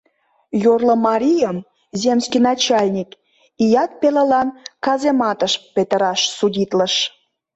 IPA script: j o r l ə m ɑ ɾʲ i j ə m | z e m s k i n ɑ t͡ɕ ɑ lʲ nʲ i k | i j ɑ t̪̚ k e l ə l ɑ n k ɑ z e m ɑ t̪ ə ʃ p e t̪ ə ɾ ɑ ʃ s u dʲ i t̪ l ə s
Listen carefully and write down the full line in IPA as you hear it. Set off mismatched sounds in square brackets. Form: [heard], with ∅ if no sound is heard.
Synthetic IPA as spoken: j o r l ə m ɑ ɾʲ i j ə m | z e m s k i n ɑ t͡ɕ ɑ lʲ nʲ i k | i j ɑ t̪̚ [p] e l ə l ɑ n k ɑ z e m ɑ t̪ ə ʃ p e t̪ ə ɾ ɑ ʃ s u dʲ i t̪ l ə [ʃ]